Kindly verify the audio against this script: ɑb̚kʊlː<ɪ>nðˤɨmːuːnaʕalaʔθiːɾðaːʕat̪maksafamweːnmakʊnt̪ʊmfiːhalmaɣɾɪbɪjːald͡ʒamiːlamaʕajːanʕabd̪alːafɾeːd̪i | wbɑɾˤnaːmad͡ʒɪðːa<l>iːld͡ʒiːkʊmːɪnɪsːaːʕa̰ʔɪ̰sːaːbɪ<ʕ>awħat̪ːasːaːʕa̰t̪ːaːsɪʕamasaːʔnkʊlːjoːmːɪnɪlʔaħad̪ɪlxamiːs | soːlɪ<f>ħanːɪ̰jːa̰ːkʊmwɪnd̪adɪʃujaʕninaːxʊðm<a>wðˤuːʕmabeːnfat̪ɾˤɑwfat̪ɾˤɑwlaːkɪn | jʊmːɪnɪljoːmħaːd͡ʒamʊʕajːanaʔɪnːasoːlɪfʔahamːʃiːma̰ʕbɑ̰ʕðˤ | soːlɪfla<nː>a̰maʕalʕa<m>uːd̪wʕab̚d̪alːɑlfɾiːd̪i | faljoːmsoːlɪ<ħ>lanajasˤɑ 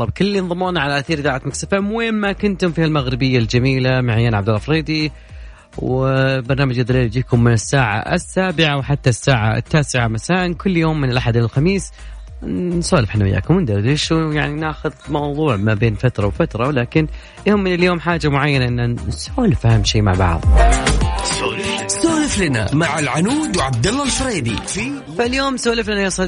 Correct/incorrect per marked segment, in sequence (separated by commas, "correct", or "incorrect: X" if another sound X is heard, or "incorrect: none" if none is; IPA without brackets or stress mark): incorrect: i, correct, correct, correct, incorrect: ɑ, incorrect: n, incorrect: n, incorrect: f